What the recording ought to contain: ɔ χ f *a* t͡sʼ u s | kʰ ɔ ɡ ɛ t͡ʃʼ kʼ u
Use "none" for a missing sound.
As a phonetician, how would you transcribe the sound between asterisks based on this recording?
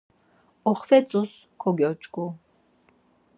ɛ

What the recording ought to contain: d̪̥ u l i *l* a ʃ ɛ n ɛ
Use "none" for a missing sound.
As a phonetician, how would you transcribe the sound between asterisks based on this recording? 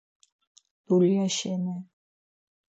none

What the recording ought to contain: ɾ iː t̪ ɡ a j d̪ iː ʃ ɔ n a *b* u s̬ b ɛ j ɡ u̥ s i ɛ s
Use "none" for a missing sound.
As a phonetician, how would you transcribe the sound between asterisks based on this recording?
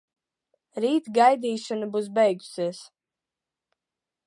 b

